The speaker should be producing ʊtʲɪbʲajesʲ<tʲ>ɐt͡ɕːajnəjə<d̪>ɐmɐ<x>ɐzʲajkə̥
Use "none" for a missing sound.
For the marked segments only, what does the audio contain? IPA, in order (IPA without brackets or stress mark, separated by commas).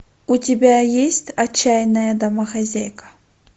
tʲ, d̪, x